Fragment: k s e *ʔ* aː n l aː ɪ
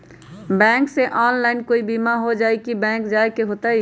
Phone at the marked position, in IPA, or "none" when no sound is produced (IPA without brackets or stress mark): ʔ